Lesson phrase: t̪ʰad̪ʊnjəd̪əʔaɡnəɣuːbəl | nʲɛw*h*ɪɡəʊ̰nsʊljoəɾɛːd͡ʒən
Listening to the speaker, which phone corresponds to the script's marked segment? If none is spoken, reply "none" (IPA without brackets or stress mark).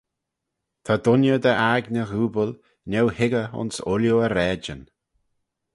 h